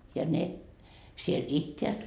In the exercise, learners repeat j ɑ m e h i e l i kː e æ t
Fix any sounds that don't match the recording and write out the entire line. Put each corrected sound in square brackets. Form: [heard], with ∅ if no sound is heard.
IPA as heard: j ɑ [n] e [s] i e l i [tː] e æ t